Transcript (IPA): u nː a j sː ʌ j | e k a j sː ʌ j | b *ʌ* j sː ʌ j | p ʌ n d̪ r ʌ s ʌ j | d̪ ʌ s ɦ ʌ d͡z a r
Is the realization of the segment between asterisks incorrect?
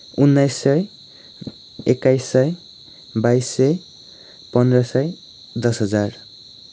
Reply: yes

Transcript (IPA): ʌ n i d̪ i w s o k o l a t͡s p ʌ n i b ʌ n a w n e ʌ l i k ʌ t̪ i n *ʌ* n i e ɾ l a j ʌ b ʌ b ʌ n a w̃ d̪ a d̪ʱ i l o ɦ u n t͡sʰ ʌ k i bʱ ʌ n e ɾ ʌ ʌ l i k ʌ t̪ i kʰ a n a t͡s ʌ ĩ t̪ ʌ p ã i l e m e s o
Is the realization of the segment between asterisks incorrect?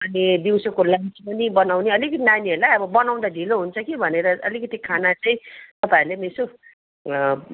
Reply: yes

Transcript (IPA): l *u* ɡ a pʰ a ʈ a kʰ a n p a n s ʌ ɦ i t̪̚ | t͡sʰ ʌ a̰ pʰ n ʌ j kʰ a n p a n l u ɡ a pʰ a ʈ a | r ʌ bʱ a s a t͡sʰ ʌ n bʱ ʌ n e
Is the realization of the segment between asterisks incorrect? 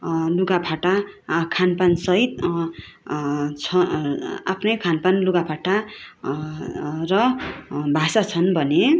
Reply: no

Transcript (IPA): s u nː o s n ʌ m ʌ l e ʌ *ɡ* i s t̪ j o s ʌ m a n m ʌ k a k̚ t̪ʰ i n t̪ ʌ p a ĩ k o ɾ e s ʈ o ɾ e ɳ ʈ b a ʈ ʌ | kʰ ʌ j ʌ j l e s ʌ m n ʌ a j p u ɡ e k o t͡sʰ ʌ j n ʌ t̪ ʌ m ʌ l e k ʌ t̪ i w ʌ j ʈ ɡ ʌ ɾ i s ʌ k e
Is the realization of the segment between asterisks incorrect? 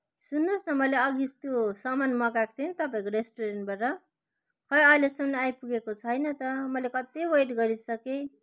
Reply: no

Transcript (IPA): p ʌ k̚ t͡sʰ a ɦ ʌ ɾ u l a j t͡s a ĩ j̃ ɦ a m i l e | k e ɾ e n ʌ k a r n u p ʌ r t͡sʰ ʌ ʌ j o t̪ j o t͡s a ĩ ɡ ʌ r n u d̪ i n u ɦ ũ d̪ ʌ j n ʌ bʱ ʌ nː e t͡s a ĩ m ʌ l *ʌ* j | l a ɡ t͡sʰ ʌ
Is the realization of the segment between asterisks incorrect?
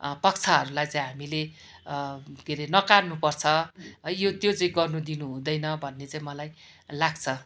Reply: yes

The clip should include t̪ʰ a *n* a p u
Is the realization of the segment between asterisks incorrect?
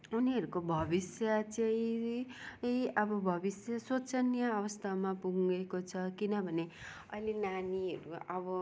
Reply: yes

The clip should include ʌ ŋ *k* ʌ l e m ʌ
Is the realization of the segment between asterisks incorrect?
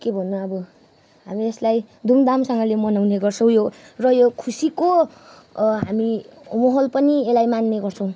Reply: yes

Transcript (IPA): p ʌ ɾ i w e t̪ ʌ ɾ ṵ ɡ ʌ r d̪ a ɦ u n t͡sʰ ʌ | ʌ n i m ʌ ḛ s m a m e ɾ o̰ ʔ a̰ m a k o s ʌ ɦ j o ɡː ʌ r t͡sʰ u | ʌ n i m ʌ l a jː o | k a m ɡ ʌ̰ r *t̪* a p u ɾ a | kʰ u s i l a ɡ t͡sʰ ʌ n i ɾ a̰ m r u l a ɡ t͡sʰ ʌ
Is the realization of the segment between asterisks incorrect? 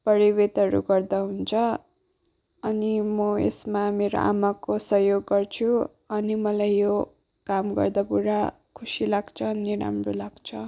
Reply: yes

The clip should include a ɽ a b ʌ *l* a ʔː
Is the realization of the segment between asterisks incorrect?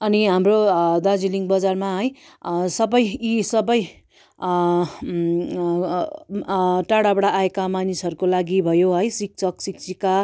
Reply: yes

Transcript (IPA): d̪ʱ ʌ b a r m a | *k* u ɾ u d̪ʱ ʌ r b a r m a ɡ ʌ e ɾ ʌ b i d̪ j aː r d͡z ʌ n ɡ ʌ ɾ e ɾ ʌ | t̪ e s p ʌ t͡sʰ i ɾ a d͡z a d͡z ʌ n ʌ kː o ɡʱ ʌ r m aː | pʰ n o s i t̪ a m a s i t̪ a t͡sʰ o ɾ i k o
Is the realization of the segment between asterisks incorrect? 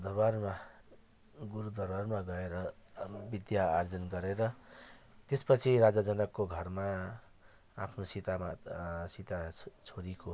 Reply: yes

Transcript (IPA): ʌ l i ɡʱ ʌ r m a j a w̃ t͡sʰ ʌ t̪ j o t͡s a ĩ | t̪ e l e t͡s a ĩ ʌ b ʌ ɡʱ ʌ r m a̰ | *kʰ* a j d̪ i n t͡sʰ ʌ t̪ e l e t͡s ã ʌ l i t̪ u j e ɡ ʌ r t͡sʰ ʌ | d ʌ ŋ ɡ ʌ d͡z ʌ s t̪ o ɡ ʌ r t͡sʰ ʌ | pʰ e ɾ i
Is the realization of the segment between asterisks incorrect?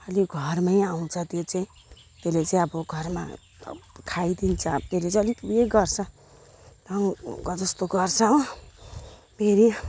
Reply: no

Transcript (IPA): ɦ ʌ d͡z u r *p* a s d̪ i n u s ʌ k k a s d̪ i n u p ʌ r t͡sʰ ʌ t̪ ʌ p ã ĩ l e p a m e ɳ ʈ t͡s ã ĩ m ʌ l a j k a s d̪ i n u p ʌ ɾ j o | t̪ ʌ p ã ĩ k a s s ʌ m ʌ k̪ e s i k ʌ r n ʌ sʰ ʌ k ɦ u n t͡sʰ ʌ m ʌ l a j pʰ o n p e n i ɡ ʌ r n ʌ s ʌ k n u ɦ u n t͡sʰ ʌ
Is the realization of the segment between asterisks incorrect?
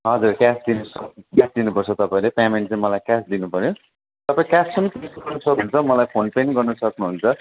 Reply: yes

